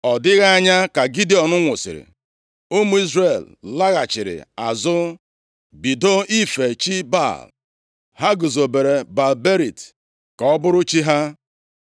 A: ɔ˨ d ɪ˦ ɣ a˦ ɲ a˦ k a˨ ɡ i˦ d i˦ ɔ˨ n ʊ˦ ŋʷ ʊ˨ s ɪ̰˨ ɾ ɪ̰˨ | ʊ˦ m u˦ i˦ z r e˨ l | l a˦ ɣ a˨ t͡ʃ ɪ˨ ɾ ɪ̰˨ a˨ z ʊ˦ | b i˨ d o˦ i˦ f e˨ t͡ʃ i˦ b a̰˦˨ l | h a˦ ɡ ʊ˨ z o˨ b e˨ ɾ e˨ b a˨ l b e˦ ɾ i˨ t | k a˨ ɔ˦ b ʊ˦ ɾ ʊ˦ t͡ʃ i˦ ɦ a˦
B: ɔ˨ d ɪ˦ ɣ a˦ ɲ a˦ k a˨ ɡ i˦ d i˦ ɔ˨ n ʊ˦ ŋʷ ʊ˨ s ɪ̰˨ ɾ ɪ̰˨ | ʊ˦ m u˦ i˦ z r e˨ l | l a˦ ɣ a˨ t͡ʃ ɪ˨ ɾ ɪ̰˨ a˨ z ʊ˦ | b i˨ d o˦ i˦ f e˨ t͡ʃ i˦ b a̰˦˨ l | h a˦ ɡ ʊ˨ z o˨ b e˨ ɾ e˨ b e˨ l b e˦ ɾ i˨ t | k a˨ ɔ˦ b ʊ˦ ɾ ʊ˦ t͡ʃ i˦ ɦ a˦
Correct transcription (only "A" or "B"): A